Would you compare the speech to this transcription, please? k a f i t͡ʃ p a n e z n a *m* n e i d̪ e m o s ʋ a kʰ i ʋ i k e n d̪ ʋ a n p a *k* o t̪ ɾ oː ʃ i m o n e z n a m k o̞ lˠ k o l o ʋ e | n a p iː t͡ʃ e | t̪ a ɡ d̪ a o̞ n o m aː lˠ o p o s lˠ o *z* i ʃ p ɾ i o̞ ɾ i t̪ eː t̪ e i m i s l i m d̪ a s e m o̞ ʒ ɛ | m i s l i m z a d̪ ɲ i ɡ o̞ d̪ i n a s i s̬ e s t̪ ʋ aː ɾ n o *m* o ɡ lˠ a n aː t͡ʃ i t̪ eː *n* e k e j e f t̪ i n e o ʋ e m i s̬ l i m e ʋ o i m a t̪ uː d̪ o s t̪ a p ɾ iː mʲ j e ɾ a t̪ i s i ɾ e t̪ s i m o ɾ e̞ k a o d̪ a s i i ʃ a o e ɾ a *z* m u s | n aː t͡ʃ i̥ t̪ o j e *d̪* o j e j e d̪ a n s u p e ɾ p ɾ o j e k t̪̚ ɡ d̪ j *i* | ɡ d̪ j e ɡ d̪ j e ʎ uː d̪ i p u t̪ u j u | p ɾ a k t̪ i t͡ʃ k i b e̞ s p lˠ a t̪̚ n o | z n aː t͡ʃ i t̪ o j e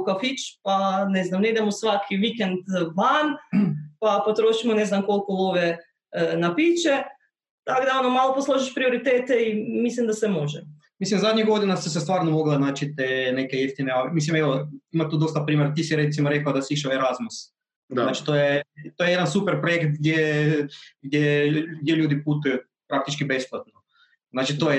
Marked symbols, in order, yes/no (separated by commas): yes, no, no, yes, yes, yes, no, no